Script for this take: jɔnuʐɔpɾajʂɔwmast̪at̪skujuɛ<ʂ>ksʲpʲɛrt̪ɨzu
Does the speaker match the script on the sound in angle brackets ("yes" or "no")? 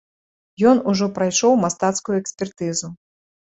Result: no